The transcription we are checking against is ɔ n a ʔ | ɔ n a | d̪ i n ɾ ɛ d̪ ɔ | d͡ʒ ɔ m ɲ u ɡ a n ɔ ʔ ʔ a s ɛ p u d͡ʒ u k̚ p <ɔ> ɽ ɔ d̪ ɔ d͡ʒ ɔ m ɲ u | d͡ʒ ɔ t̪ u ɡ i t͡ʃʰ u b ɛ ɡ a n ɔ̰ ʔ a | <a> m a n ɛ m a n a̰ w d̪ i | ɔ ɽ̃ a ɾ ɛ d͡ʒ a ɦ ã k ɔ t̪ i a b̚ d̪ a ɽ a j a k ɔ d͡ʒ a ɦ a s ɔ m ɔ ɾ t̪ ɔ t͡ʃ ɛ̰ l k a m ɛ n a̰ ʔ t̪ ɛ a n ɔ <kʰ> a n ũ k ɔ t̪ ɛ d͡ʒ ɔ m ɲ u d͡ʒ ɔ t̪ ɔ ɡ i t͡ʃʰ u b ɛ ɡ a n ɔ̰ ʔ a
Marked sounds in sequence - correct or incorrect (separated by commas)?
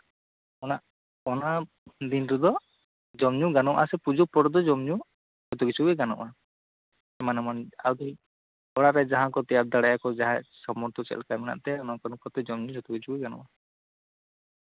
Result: correct, incorrect, incorrect